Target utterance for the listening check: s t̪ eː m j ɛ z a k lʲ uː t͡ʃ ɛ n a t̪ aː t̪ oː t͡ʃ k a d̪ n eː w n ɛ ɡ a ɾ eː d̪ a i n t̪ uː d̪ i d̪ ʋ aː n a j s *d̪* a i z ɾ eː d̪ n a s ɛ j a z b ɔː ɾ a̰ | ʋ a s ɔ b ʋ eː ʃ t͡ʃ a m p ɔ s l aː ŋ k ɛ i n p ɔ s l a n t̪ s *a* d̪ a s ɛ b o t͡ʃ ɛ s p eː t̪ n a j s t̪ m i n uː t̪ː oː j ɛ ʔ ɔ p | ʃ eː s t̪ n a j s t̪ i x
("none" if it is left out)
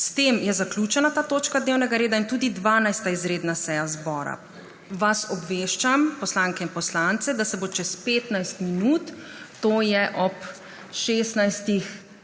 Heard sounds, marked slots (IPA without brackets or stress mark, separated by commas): t̪, ɛ